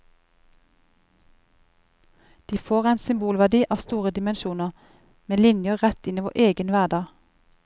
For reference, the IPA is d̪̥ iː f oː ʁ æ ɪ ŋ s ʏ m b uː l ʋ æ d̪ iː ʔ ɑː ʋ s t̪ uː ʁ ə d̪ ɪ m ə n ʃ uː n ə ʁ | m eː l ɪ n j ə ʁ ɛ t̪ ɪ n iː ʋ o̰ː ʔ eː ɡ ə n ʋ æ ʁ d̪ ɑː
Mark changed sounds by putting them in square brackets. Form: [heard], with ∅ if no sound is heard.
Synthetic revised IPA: d̪̥ iː f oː ʁ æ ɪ [n] s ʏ m b uː l ʋ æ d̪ iː ʔ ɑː ʋ s t̪ uː ʁ ə d̪ ɪ m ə n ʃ uː n ə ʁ | m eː l ɪ n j ə ʁ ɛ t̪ ɪ n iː ʋ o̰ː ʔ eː ɡ ə n ʋ æ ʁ d̪ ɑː